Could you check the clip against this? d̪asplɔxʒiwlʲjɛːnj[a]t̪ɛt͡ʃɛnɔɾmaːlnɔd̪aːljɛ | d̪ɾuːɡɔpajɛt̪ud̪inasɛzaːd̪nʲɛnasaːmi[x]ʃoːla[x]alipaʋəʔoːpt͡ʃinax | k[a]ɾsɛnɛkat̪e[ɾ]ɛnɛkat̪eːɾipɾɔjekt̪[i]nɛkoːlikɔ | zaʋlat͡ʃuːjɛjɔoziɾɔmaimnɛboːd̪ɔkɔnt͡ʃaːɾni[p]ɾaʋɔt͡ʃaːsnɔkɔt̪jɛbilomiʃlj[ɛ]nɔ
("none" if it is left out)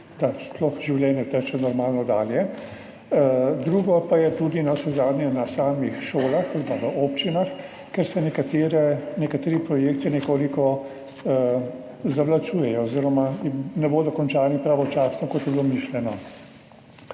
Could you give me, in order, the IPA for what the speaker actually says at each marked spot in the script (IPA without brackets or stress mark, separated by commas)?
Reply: ɛ, x, x, ɛ, ɾ, i, p, ɛ